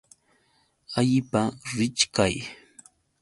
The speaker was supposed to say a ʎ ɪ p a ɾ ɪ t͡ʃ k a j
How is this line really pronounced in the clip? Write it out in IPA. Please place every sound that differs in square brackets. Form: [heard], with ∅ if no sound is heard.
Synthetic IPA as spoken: a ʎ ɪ p a ɾ ɪ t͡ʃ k a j